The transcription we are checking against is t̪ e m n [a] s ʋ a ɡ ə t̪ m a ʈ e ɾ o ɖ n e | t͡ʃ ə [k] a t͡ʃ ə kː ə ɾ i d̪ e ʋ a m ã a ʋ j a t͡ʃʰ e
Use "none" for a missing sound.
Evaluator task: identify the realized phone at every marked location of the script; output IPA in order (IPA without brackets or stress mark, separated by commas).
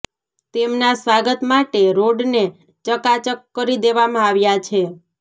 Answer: a, k